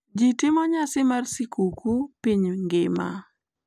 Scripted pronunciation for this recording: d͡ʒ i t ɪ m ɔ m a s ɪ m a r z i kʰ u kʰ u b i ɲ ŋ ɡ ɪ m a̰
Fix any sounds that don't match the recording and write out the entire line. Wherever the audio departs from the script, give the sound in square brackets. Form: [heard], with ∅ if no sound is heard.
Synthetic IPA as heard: d͡ʒ i t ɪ m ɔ [ɲ] a s ɪ m a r [s] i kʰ u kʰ u [p] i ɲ ŋ ɡ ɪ m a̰